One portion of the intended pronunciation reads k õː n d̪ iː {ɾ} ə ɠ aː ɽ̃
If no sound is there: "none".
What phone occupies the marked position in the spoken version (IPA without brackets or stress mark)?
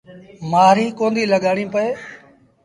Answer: l